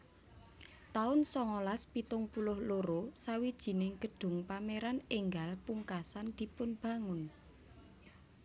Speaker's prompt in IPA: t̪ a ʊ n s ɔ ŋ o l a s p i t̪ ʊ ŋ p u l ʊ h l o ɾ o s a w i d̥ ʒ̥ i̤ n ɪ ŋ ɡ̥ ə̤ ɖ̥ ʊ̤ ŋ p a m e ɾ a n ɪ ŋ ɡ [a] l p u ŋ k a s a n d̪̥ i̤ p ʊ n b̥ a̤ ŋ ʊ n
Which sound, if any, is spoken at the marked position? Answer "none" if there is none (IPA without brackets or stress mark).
a